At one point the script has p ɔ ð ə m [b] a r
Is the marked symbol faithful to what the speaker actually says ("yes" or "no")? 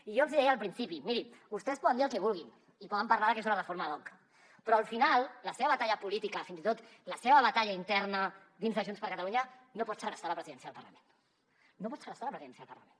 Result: no